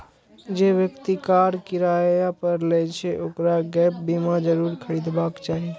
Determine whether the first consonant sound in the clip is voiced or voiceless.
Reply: voiced